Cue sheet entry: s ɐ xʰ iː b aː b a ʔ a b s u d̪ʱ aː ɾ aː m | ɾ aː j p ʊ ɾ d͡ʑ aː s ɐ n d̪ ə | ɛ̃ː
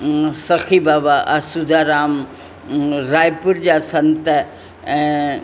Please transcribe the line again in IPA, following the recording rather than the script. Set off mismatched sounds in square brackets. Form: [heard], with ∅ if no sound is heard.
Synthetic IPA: s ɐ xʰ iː b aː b a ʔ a [∅] s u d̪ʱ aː ɾ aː m | ɾ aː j p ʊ ɾ d͡ʑ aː s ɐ n [t̪] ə | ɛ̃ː